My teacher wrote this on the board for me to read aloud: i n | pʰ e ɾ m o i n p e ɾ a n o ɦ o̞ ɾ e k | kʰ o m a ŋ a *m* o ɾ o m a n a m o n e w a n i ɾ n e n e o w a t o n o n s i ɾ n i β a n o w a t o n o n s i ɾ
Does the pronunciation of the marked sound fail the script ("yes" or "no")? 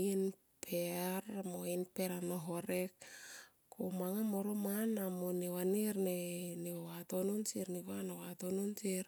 no